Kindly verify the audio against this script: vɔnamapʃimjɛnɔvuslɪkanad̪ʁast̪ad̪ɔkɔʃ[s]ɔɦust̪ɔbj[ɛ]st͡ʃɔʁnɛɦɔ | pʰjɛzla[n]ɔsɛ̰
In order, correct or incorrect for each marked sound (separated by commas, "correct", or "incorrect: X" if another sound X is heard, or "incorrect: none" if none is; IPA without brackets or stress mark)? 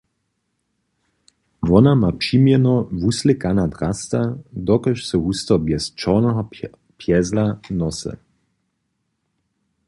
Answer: correct, correct, correct